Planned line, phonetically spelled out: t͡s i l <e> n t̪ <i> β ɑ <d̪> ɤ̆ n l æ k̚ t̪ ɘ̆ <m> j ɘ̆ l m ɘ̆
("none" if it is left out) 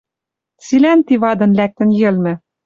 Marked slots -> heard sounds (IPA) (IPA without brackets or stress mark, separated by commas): æ, i, d̪, n